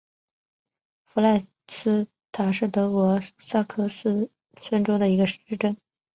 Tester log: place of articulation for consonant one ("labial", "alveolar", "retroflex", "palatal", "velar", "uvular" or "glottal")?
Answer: labial